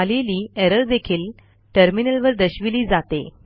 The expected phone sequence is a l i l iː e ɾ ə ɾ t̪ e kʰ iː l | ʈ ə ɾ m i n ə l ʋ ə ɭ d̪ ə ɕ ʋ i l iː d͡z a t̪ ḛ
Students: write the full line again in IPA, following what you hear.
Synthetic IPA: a l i l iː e ɾ ə ɾ d̪ e kʰ iː l | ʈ ə ɾ m i n ə l ʋ ə ɾ d̪ ə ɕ ʋ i l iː d͡z a t̪ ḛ